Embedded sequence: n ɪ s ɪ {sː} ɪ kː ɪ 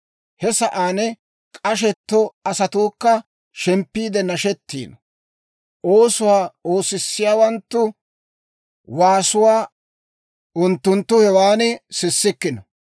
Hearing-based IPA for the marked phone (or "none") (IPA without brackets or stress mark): sː